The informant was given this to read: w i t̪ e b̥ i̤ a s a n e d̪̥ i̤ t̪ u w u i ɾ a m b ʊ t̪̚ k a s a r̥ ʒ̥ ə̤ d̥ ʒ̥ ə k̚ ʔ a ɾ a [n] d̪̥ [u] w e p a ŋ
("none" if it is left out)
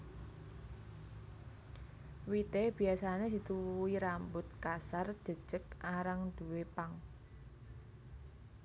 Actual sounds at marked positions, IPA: ŋ, u

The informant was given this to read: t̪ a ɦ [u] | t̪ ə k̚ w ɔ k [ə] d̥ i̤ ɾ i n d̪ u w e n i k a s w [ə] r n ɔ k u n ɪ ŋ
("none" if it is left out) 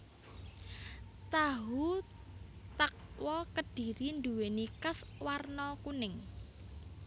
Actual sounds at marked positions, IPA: u, ə, a

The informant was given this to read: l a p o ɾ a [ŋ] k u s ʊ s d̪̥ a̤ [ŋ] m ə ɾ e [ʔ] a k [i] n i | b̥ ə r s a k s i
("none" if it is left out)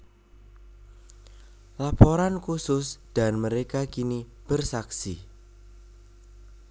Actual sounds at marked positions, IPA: n, n, k, i

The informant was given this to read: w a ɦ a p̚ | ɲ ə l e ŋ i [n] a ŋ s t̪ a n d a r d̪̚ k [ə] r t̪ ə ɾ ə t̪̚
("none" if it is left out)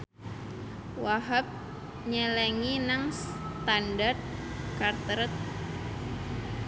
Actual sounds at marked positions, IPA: n, a

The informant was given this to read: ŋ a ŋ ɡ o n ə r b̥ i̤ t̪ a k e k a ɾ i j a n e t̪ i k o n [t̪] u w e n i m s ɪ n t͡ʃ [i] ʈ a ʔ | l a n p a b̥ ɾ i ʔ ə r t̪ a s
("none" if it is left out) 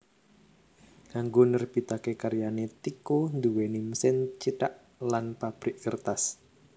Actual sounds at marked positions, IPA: d̪, i

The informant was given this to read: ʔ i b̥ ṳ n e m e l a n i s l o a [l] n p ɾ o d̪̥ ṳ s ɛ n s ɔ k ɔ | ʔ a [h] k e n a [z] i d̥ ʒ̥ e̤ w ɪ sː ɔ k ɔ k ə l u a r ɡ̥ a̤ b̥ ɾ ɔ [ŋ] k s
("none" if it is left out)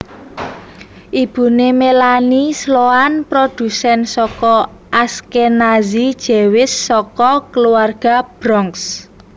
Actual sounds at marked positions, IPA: none, s, z, ŋ

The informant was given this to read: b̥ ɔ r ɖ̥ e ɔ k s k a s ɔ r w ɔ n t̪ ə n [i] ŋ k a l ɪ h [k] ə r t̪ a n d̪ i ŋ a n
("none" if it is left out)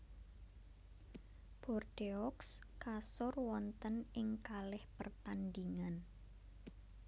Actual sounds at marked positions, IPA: ɪ, p

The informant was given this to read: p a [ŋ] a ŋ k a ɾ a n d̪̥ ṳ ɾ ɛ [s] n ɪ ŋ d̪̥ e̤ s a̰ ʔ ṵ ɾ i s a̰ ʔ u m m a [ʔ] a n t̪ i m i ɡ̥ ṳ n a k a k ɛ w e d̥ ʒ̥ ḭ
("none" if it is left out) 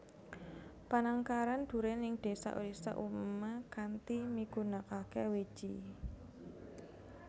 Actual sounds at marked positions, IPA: n, none, k

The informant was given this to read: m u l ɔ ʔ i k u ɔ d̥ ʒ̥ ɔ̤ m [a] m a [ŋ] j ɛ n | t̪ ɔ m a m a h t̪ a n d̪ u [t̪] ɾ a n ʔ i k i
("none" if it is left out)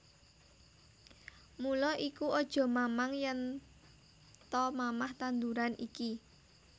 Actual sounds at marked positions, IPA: a, ŋ, none

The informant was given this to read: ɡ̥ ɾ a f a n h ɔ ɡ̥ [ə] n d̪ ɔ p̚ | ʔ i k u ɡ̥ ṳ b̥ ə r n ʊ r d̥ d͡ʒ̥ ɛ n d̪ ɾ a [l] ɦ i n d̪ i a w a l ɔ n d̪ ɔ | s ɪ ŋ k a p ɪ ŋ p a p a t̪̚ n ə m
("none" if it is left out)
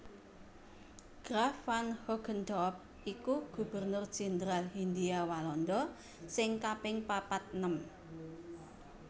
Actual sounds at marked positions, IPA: ə, l

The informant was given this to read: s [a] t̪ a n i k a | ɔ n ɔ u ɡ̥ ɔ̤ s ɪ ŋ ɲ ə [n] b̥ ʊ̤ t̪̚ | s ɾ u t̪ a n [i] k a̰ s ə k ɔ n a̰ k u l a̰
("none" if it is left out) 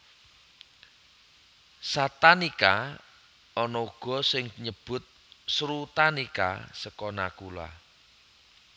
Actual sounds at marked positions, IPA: a, none, i

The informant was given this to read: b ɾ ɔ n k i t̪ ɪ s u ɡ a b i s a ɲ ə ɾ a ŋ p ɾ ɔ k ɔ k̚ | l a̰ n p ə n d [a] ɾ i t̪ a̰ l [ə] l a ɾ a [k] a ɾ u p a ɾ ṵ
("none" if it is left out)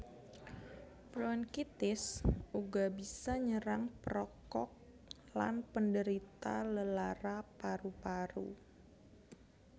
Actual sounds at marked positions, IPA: ə, ə, p

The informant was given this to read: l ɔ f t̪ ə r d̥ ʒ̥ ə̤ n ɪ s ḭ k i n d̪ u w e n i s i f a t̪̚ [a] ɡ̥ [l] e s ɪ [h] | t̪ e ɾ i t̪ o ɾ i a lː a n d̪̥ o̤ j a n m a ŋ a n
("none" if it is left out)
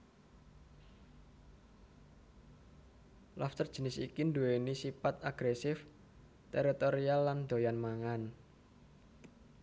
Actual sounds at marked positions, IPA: a, ɾ, f

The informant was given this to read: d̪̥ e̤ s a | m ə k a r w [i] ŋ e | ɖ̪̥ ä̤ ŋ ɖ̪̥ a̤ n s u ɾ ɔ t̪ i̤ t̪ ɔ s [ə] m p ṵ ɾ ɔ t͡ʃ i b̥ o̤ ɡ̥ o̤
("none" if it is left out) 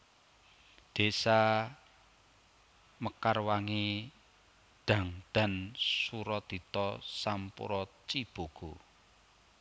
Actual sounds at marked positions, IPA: a, a

